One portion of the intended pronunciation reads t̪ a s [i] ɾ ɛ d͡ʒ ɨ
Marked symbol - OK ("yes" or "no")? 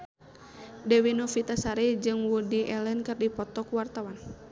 no